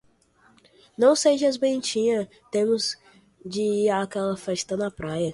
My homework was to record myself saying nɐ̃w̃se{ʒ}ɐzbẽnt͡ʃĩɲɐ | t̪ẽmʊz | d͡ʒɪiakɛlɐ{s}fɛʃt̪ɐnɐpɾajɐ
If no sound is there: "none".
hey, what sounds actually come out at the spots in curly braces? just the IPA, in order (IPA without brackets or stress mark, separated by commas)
ʒ, none